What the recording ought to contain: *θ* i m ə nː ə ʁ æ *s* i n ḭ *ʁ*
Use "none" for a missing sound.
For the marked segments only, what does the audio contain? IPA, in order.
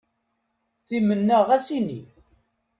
θ, s, none

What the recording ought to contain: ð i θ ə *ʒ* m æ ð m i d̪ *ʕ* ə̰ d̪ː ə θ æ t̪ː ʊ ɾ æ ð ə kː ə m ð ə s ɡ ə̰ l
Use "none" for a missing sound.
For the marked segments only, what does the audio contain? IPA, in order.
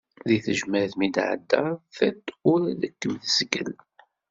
ʒ, ʕ

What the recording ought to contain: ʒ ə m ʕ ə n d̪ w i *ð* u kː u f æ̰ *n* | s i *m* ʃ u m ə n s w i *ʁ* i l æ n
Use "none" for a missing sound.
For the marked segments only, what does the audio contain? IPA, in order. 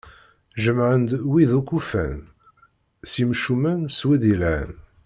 ð, n, m, ð

